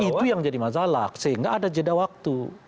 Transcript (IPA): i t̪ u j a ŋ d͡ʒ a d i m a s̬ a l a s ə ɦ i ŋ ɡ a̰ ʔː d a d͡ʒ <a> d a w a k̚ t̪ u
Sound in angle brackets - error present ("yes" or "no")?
yes